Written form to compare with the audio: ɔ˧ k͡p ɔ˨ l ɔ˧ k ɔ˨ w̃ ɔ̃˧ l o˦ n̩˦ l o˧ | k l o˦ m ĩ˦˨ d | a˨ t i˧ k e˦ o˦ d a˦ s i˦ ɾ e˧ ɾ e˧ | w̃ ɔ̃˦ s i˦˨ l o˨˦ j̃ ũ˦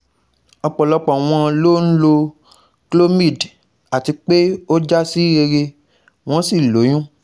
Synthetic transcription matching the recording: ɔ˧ k͡p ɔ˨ l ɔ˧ k͡p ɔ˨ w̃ ɔ̃˧ l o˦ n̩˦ l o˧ | k l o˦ m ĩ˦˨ d | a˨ t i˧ k͡p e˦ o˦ d͡ʒ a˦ s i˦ ɾ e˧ ɾ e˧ | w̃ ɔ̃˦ s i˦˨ l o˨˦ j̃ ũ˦